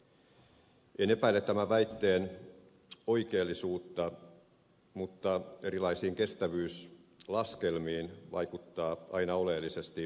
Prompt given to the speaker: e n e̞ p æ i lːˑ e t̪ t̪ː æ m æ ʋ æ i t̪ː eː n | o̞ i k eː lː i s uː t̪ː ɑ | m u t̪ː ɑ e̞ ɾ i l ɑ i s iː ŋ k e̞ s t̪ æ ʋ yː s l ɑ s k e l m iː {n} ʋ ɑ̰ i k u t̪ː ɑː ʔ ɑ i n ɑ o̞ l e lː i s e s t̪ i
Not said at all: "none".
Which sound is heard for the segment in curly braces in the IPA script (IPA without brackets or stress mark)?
n